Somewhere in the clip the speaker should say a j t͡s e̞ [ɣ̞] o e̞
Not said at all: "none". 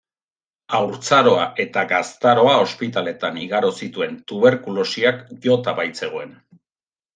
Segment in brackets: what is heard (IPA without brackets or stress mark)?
ɣ̞